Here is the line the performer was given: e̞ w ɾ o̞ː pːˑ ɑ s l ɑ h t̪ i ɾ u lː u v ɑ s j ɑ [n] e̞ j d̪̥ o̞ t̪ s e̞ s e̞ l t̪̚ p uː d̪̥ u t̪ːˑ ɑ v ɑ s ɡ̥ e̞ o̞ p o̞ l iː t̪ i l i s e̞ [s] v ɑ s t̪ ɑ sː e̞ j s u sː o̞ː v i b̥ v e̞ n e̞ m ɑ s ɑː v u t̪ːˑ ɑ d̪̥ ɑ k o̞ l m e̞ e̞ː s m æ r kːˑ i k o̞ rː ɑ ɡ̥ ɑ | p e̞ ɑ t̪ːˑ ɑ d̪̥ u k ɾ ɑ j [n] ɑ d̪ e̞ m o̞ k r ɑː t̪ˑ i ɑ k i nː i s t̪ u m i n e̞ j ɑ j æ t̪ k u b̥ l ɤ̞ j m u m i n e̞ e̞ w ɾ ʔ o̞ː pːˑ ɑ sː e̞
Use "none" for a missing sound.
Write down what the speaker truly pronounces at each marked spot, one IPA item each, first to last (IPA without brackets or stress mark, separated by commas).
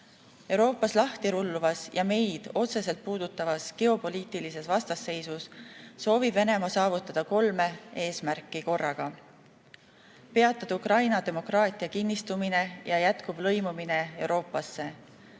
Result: m, s, n